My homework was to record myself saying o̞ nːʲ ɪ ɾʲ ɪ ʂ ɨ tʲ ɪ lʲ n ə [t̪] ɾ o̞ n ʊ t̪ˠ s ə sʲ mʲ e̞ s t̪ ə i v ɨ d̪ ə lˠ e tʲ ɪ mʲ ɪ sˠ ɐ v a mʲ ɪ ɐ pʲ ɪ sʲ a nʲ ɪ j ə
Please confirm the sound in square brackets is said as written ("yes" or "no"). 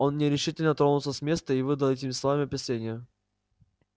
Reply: yes